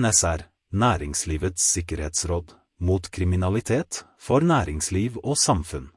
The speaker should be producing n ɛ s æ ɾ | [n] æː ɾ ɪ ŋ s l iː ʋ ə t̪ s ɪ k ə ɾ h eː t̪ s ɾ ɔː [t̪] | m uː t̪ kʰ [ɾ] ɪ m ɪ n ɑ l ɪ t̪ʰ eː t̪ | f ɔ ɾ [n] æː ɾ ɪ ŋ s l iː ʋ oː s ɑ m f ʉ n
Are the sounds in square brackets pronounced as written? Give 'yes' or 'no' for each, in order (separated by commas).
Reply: yes, no, yes, yes